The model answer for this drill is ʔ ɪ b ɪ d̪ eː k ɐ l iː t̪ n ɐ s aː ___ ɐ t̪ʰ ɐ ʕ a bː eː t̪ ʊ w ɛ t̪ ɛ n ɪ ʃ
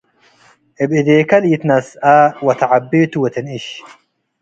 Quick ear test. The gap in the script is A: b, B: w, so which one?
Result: B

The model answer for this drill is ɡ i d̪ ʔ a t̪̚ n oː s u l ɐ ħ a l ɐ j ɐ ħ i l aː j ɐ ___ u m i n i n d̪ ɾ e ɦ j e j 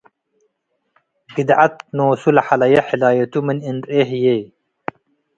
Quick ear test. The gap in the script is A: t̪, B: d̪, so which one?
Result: A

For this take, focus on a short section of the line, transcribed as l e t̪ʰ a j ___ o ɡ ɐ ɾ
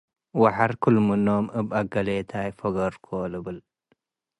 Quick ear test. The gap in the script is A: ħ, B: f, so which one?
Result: B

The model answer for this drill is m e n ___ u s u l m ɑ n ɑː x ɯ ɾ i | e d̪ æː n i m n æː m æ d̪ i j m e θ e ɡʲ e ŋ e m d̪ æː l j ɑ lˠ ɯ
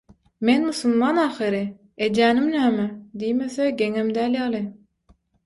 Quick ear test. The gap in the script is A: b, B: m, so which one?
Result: B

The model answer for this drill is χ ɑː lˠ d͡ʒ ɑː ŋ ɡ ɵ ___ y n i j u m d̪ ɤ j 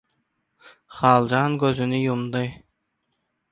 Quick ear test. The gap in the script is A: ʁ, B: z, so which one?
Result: B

